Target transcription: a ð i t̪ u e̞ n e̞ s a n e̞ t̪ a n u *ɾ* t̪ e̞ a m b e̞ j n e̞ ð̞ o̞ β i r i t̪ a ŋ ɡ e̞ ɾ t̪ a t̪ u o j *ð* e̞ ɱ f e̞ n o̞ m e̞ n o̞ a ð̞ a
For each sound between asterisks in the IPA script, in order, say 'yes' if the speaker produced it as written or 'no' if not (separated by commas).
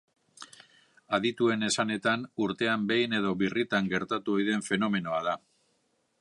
yes, yes